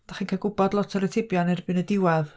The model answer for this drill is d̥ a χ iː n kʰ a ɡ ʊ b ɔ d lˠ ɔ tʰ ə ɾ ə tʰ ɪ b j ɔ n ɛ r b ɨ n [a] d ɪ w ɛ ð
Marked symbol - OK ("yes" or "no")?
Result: no